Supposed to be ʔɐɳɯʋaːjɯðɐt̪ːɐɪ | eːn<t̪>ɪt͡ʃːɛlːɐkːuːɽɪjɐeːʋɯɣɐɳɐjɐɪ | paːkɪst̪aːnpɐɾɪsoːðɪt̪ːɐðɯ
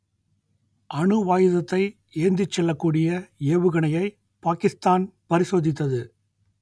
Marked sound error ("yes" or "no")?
yes